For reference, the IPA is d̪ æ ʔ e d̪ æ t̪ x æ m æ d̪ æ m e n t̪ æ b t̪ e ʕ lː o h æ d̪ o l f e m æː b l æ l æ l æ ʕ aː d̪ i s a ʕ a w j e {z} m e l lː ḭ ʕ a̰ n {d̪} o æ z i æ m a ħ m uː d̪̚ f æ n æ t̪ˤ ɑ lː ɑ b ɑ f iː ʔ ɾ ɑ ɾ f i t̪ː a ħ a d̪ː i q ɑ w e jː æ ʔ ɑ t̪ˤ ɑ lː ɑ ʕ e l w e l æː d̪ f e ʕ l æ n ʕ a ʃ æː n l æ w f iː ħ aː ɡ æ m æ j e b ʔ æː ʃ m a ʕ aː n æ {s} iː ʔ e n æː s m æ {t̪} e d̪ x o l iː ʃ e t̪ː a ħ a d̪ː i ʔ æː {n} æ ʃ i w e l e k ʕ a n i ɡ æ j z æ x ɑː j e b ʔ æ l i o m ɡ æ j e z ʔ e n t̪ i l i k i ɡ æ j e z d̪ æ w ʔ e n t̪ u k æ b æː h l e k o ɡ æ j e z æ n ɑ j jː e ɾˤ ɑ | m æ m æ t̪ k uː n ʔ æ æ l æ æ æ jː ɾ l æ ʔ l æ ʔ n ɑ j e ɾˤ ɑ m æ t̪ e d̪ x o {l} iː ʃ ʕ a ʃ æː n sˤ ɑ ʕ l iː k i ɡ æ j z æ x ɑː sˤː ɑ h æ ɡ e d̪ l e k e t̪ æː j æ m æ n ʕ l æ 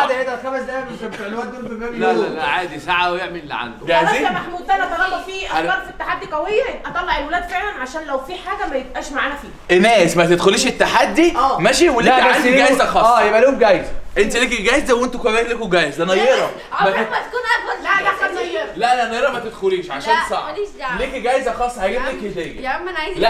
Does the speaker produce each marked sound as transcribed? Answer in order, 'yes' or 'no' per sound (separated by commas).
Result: no, yes, no, yes, no, yes